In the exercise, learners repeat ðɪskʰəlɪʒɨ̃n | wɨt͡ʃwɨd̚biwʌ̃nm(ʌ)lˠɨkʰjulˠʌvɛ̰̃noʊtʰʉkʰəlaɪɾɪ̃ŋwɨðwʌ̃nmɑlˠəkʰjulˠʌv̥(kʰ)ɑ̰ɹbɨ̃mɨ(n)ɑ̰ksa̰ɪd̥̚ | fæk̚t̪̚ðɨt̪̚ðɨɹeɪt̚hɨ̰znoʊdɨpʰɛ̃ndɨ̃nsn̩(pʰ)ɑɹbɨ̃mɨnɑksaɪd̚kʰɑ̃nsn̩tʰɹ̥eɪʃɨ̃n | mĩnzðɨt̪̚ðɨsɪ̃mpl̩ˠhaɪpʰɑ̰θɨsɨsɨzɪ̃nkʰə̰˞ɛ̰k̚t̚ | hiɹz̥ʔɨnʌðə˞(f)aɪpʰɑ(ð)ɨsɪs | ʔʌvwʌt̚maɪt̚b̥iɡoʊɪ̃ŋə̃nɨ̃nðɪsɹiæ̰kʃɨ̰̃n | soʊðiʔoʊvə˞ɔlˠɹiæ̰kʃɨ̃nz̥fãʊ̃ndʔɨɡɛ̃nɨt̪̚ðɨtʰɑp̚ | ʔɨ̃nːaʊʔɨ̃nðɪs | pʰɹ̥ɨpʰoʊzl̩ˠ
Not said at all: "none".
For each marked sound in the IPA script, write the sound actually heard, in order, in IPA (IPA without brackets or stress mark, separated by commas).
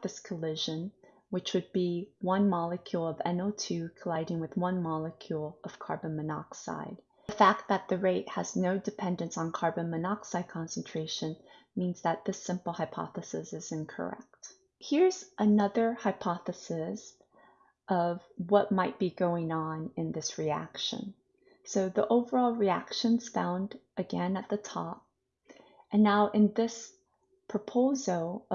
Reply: ɑ, kʰ, n, kʰ, h, θ